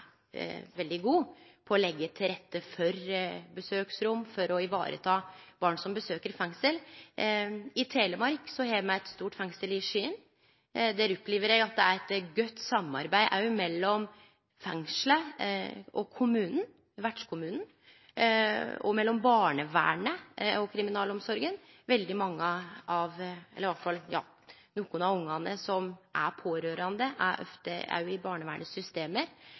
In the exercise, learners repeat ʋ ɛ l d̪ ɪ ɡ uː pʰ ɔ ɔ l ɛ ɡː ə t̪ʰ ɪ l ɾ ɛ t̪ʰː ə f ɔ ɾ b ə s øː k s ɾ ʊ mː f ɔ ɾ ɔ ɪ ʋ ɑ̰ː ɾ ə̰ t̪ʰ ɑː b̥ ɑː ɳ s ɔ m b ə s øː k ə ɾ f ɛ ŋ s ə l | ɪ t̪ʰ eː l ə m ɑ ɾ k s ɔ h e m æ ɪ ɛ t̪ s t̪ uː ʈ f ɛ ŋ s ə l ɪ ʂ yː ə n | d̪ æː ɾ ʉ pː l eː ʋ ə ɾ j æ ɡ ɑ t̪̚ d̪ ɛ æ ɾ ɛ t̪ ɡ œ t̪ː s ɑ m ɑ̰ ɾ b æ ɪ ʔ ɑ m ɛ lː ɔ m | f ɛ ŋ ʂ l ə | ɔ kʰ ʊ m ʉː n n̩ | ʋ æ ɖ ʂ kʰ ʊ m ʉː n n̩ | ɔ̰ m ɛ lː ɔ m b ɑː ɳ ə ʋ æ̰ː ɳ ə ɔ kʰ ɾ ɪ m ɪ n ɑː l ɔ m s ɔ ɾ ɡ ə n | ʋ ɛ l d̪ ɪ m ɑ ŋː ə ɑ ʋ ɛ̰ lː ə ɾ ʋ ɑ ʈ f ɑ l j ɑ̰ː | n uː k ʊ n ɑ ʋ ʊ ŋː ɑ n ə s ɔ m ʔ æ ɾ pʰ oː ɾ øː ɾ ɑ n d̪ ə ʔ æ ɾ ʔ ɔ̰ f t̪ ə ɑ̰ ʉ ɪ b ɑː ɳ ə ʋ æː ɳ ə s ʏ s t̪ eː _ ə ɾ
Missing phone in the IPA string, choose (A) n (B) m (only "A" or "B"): B